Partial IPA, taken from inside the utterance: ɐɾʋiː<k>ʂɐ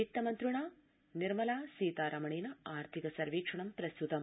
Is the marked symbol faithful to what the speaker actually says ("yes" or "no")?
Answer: yes